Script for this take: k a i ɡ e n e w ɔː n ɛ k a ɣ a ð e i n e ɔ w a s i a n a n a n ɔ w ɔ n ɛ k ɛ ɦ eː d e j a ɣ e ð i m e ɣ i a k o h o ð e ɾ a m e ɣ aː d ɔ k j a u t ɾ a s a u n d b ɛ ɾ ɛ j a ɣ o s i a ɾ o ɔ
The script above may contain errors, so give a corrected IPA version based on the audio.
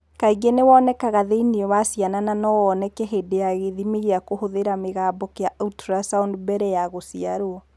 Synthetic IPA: k a i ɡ e n e w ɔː n ɛ k a ɣ a ð e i n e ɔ w a s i a n a n a n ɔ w ɔ n ɛ k ɛ ɦ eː d e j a ɣ e ð i m e ɣ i a k o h o ð e ɾ a m e ɣ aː b ɔ k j a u t ɾ a s a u n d b ɛ ɾ ɛ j a ɣ o s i a ɾ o ɔ

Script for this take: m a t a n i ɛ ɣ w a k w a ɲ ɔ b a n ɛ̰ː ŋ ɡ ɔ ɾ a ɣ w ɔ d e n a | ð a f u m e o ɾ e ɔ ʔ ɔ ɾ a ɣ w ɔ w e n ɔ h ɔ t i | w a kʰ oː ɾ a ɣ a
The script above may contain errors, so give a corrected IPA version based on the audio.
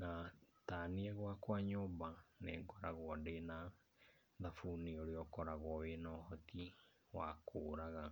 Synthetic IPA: n a t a n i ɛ ɣ w a k w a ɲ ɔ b a n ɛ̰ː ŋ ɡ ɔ ɾ a ɣ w ɔ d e n a | ð a f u n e o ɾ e ɔ k ɔ ɾ a ɣ w ɔ w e n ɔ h ɔ t i | w a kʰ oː ɾ a ɣ a

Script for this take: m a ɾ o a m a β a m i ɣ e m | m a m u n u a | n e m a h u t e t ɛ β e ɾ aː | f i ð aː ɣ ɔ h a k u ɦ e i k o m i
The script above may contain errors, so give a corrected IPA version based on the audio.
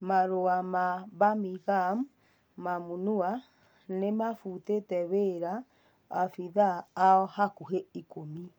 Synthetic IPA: m a ɾ o a m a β a m i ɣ a m | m a m u n u a | n e m a f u t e t ɛ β e ɾ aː | f i ð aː ɔ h a k u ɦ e i k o m i

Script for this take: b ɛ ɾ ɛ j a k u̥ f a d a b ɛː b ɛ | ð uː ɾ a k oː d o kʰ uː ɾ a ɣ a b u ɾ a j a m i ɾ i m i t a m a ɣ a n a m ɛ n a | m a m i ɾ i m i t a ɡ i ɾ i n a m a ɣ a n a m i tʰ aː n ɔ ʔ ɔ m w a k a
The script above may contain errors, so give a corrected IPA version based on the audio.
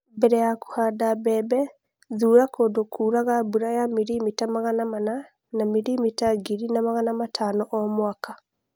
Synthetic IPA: b ɛ ɾ ɛ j a k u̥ h a d a b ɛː b ɛ | ð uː ɾ a k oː d o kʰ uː ɾ a ɣ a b u ɾ a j a m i ɾ i m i t a m a ɣ a n a m a n a | n a m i ɾ i m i t a ɡ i ɾ i n a m a ɣ a n a m a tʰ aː n ɔ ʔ ɔ m w a k a

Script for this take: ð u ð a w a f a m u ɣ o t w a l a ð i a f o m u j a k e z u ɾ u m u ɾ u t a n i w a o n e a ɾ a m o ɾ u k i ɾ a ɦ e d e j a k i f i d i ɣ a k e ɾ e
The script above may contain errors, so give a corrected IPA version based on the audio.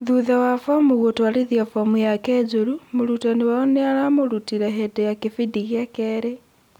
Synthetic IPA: ð u ð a w a f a m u ɣ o t w a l i ð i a f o m u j a k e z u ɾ u m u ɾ u t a n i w a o n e a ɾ a m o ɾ u t i ɾ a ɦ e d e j a k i f i d i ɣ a k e ɾ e

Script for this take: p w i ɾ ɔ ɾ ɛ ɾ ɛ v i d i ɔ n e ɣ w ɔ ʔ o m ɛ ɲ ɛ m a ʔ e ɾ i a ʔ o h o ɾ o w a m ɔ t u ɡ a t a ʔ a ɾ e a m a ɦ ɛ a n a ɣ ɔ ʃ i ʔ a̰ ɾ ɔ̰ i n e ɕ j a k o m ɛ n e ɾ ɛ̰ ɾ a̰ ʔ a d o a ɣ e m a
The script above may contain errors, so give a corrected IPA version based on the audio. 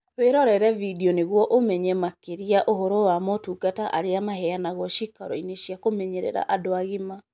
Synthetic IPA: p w e ɾ ɔ ɾ ɛ ɾ ɛ v i d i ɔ n e ɣ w ɔ ʔ o m ɛ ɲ ɛ m a k e ɾ i a ʔ o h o ɾ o w a m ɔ t u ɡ a t a ʔ a ɾ e a m a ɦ ɛ a n a ɣ ɔ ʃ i k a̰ ɾ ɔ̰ i n e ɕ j a k o m ɛ ɲ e ɾ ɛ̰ ɾ a̰ ʔ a d o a ɣ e m a

